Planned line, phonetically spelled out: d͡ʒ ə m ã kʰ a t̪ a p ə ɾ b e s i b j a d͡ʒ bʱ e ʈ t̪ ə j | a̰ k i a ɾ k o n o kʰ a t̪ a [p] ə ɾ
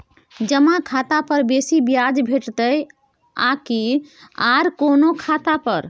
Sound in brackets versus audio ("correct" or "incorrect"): correct